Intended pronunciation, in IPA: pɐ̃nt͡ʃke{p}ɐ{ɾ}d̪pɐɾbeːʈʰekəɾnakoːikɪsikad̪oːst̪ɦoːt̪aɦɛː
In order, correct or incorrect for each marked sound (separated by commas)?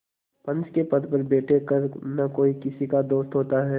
correct, incorrect